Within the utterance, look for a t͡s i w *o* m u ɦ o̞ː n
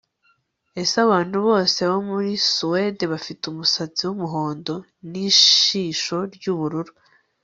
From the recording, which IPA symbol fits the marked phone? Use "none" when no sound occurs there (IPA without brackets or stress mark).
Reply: u